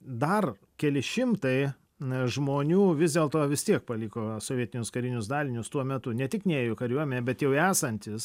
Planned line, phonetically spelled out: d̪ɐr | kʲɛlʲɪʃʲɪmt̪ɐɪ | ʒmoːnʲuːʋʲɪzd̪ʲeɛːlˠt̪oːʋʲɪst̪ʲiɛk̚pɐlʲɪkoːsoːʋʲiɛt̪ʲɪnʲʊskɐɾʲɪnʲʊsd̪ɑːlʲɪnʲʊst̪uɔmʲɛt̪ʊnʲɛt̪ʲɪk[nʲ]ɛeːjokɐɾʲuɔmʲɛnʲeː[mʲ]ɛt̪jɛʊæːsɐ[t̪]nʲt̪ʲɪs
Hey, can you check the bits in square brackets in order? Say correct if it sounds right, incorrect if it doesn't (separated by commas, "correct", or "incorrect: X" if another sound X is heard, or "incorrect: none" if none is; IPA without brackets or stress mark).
correct, incorrect: bʲ, incorrect: none